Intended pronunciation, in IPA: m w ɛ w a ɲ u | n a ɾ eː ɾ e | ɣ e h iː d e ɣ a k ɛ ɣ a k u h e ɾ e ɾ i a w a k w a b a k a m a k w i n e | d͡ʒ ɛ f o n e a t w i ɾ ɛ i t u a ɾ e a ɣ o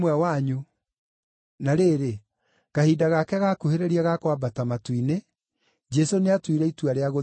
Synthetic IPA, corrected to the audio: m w ɛ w a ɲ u | n a ɾ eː ɾ e | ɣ a h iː d a ɣ a k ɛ ɣ a k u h e ɾ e ɾ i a ɣ a k w a b a t a m a t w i n e | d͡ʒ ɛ s o n e a t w i ɾ ɛ i t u a ɾ e a ɣ o